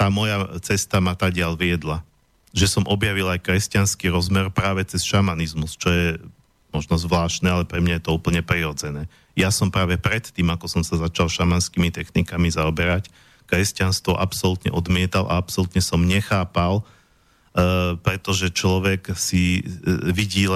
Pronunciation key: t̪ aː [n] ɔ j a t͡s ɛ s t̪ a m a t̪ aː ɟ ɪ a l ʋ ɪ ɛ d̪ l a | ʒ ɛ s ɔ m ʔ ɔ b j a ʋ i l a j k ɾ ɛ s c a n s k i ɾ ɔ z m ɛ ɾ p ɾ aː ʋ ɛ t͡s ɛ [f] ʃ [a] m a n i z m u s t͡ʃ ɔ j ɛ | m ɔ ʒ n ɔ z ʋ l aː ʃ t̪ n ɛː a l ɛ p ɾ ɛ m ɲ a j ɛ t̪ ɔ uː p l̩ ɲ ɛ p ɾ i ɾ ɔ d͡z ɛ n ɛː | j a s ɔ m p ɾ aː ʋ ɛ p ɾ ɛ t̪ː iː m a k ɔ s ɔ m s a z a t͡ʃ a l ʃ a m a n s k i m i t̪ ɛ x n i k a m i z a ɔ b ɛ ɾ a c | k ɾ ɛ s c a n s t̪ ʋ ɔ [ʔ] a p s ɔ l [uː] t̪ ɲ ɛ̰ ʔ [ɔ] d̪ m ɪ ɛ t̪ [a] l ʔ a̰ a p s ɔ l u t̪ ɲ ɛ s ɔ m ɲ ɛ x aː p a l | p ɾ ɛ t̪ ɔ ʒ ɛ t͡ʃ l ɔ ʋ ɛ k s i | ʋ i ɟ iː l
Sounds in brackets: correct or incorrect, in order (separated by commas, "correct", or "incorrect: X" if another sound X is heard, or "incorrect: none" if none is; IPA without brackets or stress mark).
incorrect: m, incorrect: s, correct, correct, incorrect: u, correct, correct